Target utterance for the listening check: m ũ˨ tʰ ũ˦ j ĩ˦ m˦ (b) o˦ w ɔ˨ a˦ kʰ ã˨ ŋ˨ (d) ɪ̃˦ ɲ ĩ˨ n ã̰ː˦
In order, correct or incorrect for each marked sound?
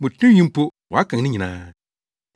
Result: incorrect: p, incorrect: n

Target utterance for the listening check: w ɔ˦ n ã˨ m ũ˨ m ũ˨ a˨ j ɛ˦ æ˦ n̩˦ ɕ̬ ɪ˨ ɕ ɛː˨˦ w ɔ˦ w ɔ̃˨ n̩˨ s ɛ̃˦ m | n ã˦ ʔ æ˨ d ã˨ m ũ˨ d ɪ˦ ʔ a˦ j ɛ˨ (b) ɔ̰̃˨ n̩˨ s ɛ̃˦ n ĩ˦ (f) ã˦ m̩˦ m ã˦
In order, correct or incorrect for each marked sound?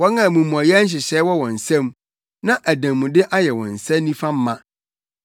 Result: incorrect: w, correct

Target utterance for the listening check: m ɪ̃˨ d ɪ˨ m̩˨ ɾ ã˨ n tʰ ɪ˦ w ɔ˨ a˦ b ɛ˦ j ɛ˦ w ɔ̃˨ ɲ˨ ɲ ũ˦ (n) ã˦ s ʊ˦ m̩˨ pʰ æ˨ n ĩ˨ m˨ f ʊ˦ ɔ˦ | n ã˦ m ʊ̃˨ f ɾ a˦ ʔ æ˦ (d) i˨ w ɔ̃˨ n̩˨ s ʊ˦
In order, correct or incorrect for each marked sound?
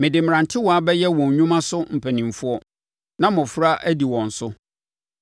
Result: incorrect: m, correct

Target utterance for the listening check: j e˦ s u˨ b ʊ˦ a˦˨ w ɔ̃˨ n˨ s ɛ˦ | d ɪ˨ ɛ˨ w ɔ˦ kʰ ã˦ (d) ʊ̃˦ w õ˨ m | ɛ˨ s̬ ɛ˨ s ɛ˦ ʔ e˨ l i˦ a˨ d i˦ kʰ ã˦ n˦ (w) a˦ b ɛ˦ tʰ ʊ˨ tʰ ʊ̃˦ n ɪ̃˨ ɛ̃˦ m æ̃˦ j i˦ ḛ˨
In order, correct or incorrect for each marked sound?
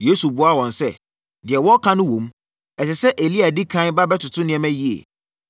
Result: incorrect: n, incorrect: b

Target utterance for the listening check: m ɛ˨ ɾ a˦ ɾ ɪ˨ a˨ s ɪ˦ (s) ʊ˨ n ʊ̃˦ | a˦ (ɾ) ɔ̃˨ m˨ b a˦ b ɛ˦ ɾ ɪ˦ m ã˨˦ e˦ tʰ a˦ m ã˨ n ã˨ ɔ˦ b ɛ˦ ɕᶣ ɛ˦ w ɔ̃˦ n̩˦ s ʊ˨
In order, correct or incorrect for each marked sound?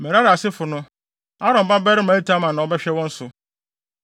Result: incorrect: f, correct

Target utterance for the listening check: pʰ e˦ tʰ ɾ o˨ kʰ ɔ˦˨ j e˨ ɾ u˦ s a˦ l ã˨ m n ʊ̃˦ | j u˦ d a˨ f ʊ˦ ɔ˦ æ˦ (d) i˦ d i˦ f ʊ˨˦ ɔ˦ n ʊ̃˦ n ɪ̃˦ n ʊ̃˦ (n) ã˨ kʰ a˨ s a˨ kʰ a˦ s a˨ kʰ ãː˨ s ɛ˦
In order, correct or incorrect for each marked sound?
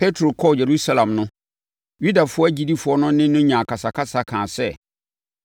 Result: incorrect: d͡ʑ, incorrect: ɲ

